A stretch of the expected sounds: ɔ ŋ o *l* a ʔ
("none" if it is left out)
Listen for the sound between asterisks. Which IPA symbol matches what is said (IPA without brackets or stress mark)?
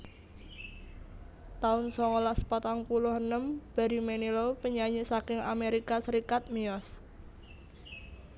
l